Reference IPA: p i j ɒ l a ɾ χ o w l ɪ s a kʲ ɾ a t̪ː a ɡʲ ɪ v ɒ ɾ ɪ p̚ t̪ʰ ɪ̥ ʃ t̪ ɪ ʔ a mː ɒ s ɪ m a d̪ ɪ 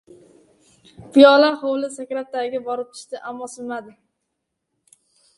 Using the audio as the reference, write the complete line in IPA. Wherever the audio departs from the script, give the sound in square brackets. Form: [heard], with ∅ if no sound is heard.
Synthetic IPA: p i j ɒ l a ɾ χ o w l ɪ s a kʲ ɾ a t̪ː a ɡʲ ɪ [b] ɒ ɾ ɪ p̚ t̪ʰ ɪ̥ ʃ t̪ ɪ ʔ a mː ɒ s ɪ m a d̪ ɪ